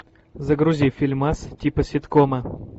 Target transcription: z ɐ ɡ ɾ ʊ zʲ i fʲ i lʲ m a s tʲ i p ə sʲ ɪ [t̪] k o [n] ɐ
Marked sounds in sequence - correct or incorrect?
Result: correct, incorrect: m

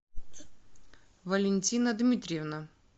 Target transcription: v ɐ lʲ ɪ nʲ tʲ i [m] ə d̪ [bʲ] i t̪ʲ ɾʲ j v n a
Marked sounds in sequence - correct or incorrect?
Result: incorrect: n, incorrect: mʲ

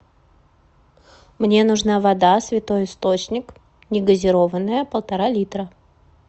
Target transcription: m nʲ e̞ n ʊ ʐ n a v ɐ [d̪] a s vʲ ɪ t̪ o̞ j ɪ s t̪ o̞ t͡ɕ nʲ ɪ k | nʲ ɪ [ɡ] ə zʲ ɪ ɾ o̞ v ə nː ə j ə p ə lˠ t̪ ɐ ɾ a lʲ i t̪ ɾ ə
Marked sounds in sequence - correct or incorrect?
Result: correct, correct

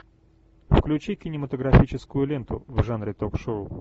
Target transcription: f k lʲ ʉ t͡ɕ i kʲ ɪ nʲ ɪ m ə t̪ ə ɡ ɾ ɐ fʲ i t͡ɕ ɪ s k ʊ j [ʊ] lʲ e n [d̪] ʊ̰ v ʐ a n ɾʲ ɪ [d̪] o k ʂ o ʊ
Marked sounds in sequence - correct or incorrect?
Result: correct, incorrect: t̪, incorrect: t̪

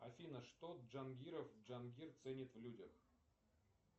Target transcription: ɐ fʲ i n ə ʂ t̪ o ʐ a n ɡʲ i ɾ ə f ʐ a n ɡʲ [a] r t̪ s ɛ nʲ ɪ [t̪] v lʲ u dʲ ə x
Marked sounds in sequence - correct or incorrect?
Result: incorrect: i, correct

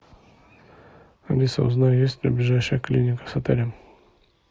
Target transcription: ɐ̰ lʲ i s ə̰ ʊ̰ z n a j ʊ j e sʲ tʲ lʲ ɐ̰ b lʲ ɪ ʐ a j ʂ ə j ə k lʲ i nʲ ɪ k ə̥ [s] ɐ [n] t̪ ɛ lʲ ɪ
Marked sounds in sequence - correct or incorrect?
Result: correct, incorrect: none

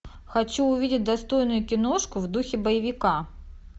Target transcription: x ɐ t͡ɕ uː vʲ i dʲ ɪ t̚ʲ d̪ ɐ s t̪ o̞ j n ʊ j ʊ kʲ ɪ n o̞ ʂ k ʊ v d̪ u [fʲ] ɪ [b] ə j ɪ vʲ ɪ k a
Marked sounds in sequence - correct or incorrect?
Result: incorrect: xʲ, correct

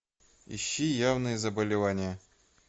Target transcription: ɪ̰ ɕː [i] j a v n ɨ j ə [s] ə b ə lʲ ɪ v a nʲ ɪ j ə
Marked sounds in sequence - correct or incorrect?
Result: correct, incorrect: z

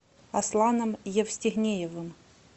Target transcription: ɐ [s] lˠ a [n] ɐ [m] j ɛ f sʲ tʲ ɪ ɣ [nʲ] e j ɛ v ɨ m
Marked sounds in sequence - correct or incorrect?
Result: correct, correct, correct, correct

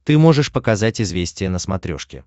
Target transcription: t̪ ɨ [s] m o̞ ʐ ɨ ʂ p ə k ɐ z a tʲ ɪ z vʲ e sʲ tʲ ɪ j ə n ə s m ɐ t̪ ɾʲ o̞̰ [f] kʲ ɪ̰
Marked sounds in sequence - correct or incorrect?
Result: incorrect: none, incorrect: ʂ

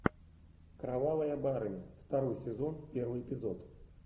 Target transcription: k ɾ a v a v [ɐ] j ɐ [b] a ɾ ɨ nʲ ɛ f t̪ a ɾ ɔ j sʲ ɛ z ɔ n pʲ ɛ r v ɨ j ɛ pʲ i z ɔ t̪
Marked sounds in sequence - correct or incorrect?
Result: correct, correct

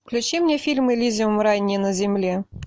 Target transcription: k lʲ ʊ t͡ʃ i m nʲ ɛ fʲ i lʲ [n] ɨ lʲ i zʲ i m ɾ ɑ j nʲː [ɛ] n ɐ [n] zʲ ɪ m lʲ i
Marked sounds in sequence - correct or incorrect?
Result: incorrect: m, incorrect: i, incorrect: none

